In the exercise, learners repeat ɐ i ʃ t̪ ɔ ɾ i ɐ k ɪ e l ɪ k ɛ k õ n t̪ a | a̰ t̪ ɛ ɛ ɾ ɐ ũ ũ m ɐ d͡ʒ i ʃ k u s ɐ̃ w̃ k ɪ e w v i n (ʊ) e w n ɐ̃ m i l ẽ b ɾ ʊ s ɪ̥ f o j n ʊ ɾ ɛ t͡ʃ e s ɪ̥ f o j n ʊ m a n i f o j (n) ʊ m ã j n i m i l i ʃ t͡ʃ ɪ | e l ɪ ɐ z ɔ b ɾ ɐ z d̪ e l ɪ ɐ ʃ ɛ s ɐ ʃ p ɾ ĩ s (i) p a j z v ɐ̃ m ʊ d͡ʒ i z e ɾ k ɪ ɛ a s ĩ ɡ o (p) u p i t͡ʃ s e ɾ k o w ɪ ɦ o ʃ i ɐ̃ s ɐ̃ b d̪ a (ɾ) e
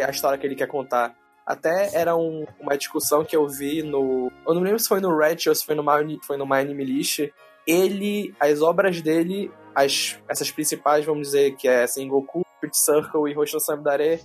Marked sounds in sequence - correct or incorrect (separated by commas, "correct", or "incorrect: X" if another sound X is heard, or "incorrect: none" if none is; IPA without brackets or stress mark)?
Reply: correct, correct, correct, incorrect: k, correct